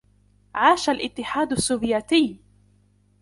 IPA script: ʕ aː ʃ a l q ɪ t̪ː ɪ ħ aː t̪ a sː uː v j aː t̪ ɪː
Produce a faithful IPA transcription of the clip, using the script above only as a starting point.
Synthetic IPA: ʕ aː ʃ a l ʔ ɪ t̪ː ɪ ħ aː d̪ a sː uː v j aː t̪ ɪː